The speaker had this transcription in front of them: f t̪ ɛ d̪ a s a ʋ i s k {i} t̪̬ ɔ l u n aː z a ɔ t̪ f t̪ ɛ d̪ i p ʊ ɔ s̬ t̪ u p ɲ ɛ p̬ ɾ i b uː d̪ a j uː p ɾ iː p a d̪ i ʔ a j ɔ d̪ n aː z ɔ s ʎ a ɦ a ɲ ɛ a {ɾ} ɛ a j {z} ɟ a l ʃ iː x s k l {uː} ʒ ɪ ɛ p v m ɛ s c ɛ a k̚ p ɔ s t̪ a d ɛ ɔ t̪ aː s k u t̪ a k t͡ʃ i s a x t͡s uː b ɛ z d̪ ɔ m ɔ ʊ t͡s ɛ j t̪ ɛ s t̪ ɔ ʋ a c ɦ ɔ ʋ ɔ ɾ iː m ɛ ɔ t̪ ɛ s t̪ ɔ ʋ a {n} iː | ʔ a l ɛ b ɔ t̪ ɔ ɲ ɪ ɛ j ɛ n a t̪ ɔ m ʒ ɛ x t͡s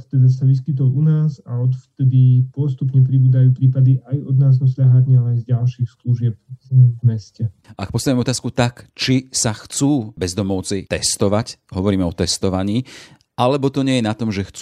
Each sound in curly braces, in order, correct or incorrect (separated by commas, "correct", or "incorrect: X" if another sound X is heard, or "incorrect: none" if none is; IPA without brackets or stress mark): correct, incorrect: l, correct, incorrect: u, incorrect: ɲ